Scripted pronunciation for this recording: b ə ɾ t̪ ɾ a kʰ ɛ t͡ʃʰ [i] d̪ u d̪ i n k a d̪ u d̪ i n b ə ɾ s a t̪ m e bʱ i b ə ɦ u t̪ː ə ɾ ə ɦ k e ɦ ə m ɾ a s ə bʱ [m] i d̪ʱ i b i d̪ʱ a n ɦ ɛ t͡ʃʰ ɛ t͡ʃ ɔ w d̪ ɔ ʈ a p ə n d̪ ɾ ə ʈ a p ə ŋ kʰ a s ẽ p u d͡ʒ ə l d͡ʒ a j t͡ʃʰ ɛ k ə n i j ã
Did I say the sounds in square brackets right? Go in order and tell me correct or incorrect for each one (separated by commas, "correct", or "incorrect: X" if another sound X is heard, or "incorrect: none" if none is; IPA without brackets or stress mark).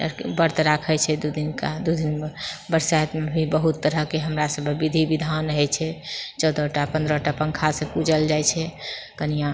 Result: incorrect: ɛ, incorrect: b